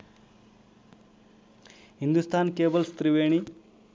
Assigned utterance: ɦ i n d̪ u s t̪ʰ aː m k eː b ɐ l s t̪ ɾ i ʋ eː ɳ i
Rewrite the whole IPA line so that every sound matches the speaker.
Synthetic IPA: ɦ i n d̪ u s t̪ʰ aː n k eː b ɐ l s t̪ ɾ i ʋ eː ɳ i